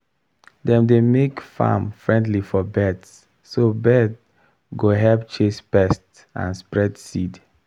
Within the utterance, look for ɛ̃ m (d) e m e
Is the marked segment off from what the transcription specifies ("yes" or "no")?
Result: no